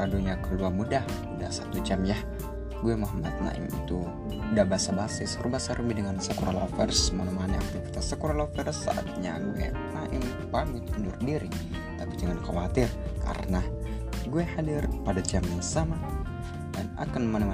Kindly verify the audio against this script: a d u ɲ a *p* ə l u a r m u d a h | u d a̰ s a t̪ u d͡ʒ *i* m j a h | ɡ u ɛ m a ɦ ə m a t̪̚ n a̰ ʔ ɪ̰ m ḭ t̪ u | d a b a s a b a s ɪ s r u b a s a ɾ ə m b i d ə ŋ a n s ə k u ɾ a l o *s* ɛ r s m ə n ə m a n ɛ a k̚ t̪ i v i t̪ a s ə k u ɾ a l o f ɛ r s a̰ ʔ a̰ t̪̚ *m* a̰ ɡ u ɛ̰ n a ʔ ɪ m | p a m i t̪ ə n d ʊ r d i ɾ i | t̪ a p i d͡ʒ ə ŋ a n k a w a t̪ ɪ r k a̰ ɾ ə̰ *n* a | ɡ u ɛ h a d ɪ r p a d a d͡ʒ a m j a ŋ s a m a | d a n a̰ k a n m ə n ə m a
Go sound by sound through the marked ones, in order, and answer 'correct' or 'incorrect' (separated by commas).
incorrect, incorrect, incorrect, incorrect, correct